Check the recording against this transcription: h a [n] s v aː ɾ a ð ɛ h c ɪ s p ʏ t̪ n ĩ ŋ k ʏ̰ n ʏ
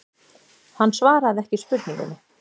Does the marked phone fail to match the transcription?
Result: yes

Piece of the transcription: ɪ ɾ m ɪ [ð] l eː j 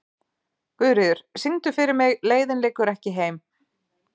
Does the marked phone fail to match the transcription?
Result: yes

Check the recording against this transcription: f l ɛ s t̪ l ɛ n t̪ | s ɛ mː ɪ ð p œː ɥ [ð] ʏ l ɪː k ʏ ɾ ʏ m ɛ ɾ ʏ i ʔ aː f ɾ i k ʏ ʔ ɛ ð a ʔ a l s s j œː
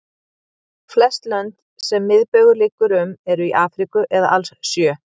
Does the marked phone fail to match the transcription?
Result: yes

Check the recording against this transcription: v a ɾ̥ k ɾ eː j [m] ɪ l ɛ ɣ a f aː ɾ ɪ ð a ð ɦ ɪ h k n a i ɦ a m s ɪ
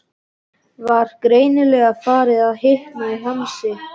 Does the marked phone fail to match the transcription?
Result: yes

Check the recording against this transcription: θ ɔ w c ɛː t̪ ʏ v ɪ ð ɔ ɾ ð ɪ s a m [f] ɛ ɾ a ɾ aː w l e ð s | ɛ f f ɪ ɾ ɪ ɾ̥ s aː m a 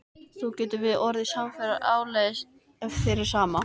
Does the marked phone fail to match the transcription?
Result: no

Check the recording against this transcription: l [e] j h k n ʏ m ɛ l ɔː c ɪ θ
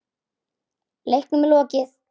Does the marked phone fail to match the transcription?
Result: no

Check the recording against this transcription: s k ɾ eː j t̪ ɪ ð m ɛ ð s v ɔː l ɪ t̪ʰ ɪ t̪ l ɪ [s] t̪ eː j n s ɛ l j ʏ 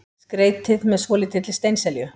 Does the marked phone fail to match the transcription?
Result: no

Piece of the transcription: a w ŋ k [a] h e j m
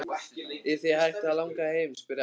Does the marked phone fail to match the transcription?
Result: no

